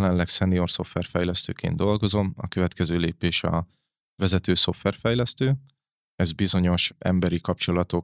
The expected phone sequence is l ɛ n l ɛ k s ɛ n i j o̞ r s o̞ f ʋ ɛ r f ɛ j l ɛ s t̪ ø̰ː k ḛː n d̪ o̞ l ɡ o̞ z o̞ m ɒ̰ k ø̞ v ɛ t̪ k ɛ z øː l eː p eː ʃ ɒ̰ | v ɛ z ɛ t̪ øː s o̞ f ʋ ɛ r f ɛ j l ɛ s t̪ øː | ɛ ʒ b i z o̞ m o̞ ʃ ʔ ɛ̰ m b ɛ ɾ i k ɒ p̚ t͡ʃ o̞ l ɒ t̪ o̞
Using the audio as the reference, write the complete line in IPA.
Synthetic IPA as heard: l ɛ n l ɛ k s ɛ n i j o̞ r s o̞ f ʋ ɛ r f ɛ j l ɛ s t̪ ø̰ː k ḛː n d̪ o̞ l ɡ o̞ z o̞ m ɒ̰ k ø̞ v ɛ t̪ k ɛ z øː l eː p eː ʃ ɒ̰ | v ɛ z ɛ t̪ øː s o̞ f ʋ ɛ r f ɛ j l ɛ s t̪ øː | ɛ z b i z o̞ ɲ o̞ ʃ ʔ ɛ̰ m b ɛ ɾ i k ɒ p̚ t͡ʃ o̞ l ɒ t̪ o̞